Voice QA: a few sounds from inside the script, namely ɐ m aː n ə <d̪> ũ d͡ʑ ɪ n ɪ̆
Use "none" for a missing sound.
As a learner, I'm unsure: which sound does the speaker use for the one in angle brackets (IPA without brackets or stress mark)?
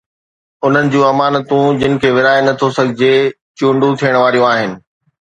t̪